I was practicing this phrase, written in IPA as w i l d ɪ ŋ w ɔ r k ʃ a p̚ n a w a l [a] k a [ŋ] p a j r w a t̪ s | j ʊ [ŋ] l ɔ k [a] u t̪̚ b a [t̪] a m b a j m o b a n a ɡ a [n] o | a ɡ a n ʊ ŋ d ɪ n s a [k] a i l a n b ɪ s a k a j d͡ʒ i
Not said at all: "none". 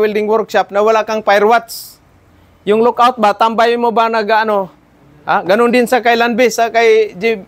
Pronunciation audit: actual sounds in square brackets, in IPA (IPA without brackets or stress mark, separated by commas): a, ŋ, ŋ, a, t̪, n, k